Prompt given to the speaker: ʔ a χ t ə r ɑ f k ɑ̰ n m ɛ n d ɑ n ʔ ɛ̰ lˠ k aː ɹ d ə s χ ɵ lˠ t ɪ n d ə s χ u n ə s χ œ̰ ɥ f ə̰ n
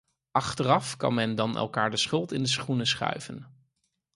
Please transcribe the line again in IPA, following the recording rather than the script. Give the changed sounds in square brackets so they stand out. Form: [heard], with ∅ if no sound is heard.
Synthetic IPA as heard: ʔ [ɑ] χ t ə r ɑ f k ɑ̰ n m ɛ n d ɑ n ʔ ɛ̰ lˠ k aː ɹ d ə s χ ɵ lˠ t ɪ n d ə s χ u n ə s χ œ̰ ɥ [v] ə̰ n